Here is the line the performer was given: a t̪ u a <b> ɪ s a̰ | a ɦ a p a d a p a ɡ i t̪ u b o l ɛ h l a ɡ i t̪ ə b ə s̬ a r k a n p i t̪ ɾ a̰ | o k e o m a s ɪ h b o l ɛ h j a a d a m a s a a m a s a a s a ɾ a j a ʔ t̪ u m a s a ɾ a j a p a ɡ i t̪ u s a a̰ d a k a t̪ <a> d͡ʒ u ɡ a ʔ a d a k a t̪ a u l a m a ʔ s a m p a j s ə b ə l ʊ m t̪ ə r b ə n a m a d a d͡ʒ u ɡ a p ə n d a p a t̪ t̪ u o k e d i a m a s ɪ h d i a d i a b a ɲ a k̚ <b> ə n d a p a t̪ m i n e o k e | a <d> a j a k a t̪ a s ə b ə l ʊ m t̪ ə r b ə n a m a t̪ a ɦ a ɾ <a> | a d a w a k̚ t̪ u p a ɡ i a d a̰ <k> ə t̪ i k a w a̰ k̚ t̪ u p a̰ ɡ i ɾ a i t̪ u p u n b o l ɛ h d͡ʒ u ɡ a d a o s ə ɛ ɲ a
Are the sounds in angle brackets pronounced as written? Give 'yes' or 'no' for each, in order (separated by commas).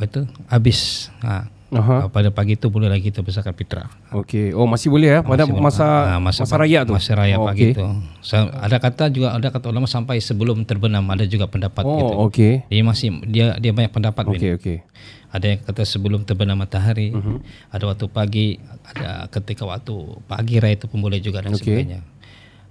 yes, yes, no, yes, no, yes